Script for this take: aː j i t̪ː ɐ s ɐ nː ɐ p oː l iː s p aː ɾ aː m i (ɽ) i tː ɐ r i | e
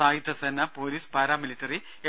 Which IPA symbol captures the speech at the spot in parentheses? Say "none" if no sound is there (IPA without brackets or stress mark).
l